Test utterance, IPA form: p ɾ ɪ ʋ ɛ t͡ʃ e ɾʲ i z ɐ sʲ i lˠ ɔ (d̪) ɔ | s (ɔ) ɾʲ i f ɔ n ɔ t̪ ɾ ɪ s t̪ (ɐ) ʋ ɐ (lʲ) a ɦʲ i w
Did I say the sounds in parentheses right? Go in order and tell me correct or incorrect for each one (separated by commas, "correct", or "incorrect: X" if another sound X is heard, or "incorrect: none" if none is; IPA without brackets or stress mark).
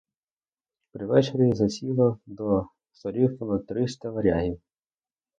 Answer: correct, correct, correct, incorrect: ɾʲ